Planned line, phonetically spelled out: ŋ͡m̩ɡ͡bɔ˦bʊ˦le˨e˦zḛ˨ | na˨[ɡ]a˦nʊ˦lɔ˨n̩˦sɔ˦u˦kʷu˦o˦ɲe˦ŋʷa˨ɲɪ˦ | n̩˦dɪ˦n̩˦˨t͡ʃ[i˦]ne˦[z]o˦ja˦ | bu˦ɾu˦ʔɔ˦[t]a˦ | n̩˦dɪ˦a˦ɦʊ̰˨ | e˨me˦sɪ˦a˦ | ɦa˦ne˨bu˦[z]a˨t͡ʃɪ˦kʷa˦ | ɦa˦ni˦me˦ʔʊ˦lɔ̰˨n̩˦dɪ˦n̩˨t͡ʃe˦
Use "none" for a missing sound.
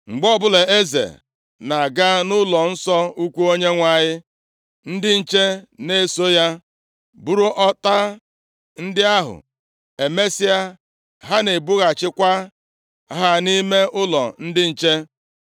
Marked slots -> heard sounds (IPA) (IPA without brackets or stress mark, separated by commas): ɡ, e˦, s, t, ɣ